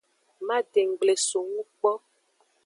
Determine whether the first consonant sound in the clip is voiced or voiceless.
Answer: voiced